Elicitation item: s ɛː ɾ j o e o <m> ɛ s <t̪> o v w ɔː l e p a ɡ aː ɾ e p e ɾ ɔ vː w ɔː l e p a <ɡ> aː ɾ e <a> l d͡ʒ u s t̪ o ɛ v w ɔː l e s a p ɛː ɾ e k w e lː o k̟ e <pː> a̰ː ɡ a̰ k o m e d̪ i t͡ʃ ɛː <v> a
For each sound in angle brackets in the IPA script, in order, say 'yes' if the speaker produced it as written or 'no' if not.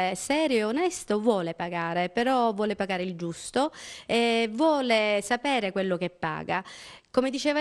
no, yes, yes, no, yes, yes

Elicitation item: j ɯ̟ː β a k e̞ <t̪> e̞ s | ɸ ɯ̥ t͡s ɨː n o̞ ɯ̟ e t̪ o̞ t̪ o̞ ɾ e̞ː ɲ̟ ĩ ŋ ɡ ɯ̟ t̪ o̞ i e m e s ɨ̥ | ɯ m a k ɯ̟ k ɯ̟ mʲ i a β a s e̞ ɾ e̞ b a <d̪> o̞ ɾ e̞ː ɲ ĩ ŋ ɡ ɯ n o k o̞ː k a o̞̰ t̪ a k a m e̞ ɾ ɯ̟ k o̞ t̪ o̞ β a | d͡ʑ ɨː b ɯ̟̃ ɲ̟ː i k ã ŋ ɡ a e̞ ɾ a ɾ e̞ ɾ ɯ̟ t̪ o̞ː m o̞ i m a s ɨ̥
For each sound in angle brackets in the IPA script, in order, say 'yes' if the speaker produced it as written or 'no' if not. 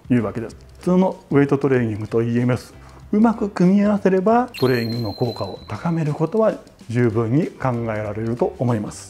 no, no

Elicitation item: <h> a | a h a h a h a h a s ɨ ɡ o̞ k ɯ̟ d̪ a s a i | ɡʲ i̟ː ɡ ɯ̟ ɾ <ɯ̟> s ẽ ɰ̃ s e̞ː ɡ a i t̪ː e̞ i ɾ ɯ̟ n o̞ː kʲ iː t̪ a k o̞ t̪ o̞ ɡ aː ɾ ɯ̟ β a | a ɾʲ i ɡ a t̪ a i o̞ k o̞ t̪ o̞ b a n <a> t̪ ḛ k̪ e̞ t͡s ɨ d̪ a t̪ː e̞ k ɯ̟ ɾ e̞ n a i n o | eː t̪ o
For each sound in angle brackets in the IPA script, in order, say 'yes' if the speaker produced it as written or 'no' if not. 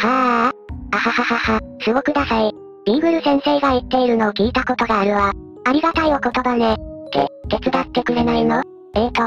yes, yes, no

